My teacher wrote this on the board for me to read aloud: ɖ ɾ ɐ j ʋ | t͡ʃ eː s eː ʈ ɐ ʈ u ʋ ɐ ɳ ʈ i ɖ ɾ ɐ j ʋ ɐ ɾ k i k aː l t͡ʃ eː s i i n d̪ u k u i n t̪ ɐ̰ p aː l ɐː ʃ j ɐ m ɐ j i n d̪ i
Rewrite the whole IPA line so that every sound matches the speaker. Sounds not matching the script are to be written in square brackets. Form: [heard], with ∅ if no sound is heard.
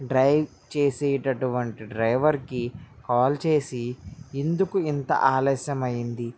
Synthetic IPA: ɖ ɾ ɐ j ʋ | t͡ʃ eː s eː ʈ ɐ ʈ u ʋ ɐ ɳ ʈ i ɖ ɾ ɐ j ʋ ɐ ɾ k i k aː l t͡ʃ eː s i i n d̪ u k u i n t̪ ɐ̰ [ʔ] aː l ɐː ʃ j ɐ m ɐ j i n d̪ i